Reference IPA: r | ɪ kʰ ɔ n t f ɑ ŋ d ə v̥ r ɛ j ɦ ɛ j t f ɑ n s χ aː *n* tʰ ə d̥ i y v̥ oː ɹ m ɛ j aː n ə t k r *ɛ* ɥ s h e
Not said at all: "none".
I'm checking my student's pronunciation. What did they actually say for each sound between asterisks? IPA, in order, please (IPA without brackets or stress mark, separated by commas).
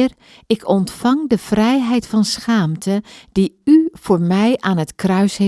m, œ